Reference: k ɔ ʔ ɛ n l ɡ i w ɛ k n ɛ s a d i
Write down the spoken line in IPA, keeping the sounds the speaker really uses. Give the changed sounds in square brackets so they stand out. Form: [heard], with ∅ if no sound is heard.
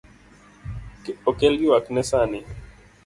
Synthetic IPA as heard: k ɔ [k] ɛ [∅] l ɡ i w [a] k n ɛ s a [n] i